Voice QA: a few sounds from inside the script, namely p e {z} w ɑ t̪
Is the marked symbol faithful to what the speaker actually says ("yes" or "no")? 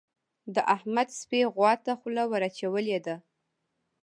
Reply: no